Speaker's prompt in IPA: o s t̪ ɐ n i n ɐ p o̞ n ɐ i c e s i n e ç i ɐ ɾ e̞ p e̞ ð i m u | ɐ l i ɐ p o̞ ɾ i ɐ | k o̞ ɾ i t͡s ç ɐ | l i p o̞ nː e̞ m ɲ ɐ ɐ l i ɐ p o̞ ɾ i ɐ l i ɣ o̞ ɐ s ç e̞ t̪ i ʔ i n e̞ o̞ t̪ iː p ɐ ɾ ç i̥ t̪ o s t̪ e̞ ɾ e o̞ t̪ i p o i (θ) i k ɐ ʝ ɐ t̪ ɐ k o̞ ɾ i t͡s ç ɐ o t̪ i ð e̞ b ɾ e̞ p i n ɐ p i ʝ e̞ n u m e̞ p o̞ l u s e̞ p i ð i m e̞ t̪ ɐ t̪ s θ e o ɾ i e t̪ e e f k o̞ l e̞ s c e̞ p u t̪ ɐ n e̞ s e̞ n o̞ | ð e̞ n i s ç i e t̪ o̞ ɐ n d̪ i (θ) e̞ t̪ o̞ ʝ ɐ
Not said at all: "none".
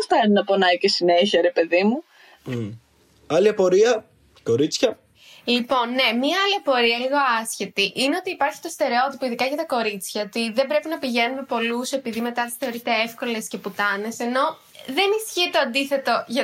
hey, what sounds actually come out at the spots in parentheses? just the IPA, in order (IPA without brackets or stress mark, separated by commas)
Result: ð, θ